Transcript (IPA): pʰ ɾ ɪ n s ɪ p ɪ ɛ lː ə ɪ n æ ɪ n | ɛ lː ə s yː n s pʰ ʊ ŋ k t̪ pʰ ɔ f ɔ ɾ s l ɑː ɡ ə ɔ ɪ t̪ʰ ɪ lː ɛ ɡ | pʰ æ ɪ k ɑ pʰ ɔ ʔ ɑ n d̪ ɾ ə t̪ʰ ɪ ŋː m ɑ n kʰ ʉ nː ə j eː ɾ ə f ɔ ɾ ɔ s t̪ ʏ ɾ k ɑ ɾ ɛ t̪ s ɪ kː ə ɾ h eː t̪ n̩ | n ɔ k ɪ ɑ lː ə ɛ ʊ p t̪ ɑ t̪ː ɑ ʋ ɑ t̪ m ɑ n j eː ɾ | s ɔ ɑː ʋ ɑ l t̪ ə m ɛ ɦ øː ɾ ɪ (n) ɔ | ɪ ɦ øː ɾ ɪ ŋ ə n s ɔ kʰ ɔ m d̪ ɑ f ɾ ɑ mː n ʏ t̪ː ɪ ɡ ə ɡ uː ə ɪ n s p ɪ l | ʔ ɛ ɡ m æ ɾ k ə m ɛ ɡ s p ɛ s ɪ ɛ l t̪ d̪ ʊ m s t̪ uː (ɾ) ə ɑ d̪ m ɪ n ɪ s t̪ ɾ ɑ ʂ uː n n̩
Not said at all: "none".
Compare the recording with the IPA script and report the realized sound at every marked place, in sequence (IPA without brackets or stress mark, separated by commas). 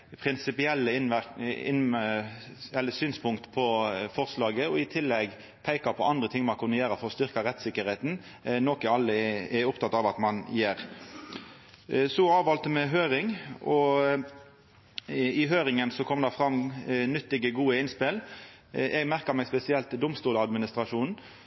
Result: ŋ, l